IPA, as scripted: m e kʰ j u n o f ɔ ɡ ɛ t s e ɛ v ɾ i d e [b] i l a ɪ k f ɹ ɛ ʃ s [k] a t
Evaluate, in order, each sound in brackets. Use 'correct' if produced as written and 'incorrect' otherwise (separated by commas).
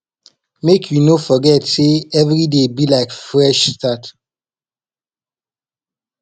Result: correct, incorrect